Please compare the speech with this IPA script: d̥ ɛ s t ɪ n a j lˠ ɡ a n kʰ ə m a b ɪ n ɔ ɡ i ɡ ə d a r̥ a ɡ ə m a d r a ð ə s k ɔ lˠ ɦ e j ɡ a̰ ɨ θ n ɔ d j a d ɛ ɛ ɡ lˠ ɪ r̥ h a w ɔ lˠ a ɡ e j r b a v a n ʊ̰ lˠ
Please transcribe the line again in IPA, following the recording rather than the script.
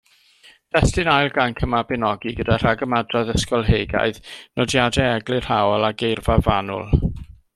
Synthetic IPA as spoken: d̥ ɛ s t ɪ n a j lˠ ɡ a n kʰ ə m a b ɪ n ɔ ɡ i ɡ ə d a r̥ a ɡ ə m a d r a ð ə s k ɔ lˠ ɦ e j ɡ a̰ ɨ ð n ɔ d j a d ɛ ɛ ɡ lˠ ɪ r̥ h a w ɔ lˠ a ɡ e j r v a v a n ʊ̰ lˠ

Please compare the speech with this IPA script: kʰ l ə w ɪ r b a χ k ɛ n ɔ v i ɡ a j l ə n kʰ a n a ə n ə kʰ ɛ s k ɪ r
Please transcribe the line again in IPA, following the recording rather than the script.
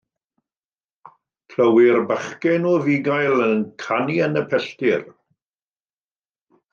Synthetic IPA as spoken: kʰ l ə w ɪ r b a χ k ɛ n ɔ v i ɡ a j l ə n kʰ a n i ə n ə pʰ ɛ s t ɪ r

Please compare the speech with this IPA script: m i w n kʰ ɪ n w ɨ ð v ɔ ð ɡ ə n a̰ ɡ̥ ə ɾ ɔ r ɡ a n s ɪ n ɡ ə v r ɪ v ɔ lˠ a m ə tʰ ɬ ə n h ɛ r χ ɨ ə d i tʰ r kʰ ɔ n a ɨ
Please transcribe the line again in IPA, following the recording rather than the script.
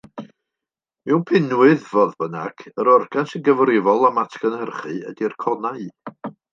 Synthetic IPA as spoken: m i w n pʰ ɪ n w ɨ ð v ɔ ð b ə n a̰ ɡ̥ ə ɾ ɔ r ɡ a n s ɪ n ɡ ə v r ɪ v ɔ lˠ a m a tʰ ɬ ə n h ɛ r χ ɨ ə d i r kʰ ɔ n a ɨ

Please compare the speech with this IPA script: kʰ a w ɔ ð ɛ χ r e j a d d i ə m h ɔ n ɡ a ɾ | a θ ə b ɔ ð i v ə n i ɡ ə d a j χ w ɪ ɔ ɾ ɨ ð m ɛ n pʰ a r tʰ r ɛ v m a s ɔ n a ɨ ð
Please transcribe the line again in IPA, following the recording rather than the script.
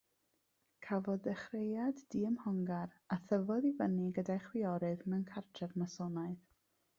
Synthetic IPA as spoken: kʰ a v ɔ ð ɛ χ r e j a d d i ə m h ɔ ŋ ɡ a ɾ | a θ ə v ɔ ð i v ə n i ɡ ə d a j χ w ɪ ɔ ɾ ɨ ð m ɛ n kʰ a r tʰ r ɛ v m a s ɔ n a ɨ ð

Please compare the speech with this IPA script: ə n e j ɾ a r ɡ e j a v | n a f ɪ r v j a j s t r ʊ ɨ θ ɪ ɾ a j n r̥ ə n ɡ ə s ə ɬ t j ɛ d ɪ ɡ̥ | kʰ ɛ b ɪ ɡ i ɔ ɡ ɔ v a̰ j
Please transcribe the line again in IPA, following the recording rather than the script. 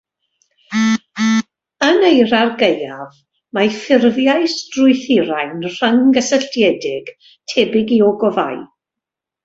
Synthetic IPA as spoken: ə n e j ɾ a r ɡ e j a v | m a f ɪ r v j a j s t r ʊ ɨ θ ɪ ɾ a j n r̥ ə ŋ ɡ ə s ə ɬ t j ɛ d ɪ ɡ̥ | tʰ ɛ b ɪ ɡ i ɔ ɡ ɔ v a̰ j

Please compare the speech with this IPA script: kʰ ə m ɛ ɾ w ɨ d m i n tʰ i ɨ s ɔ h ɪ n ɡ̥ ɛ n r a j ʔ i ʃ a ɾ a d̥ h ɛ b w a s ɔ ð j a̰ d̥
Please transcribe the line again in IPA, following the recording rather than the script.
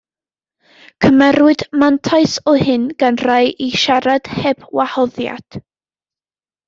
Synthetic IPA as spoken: kʰ ə m ɛ ɾ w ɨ d m a n tʰ a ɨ s ɔ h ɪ n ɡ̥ a n r a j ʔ i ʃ a ɾ a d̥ h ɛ b w a h ɔ ð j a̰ d̥

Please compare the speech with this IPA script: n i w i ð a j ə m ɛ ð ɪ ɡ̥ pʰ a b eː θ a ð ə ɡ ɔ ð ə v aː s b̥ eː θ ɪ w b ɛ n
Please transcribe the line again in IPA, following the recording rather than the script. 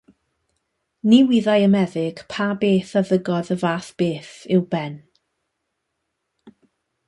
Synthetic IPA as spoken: n i w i ð a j ə m ɛ ð ɪ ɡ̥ pʰ a b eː θ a ð ə ɡ ɔ ð ə v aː θ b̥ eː θ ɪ w b ɛ n

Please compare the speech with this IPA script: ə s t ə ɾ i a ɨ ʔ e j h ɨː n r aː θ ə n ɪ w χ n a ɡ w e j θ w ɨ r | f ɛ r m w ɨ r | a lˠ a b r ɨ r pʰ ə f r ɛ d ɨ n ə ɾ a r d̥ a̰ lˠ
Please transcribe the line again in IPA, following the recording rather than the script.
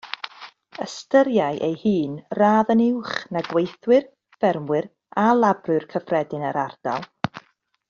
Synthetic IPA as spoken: ə s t ə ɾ j a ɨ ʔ e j h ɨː n r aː ð ə n ɪ w χ n a ɡ w e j θ w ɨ r | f ɛ r m w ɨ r | a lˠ a b r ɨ r kʰ ə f r ɛ d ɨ n ə ɾ a r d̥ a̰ lˠ

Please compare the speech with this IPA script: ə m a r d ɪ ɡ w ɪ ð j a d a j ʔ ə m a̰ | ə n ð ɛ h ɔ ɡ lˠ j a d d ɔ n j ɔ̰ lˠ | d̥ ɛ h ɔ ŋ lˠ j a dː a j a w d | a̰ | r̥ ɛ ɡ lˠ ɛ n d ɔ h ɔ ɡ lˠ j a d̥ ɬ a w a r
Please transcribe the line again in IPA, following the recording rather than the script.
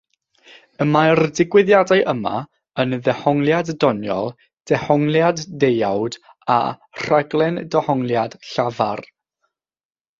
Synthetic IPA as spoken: ə m a r d ɪ ɡ w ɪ ð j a d a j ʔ ə m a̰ | ə n ð ɛ h ɔ ŋ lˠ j a d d ɔ n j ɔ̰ lˠ | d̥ ɛ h ɔ ŋ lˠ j a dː e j a w d | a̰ | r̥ a ɡ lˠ ɛ n d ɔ h ɔ ŋ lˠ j a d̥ ɬ a v a r

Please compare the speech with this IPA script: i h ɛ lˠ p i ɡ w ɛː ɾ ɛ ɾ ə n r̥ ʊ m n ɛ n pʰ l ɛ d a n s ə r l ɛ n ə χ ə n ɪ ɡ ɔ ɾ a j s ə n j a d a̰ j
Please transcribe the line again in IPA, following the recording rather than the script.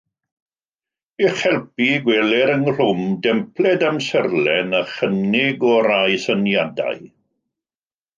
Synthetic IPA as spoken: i χ ɛ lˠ p i ɡ w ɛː l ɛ ɾ ə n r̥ ʊ m d ɛ m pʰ l ɛ d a m s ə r l ɛ n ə χ ə n ɪ ɡ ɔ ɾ a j s ə n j a d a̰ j

